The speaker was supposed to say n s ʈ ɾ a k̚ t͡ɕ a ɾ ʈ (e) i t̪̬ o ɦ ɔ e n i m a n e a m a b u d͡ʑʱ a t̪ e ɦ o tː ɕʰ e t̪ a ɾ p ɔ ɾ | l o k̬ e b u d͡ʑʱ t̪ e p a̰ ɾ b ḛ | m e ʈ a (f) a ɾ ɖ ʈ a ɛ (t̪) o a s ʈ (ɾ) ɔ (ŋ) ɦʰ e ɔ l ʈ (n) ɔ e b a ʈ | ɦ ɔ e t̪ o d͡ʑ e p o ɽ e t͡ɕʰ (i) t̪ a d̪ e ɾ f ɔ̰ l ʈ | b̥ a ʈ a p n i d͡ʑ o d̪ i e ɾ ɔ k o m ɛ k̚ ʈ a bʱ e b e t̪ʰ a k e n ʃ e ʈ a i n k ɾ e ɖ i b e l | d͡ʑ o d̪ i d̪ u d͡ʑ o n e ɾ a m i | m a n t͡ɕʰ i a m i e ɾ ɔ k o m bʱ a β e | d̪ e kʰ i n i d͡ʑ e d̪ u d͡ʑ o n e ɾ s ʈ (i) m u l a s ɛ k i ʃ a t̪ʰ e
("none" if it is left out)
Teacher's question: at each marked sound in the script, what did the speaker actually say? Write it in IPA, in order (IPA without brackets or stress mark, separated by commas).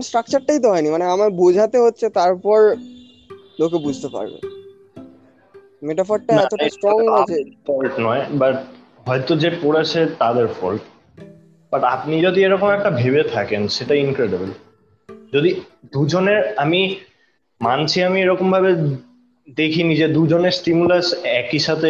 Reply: a, f, t̪, ɾ, ŋ, n, e, i